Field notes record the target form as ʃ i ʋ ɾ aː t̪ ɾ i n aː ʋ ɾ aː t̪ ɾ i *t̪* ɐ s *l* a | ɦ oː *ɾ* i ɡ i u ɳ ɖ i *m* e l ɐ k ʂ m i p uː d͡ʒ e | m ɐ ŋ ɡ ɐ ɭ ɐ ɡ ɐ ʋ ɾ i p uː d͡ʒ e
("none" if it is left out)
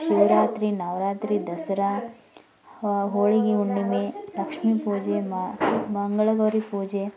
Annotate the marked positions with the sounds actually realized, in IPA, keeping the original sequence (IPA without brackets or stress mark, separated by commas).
d̪, ɾ, ɭ, m